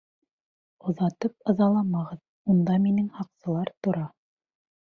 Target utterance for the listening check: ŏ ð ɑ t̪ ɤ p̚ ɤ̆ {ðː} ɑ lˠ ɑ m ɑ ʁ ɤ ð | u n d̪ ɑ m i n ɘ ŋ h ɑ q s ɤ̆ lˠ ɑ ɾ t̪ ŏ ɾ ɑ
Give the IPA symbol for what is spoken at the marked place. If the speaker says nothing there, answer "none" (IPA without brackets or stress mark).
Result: ð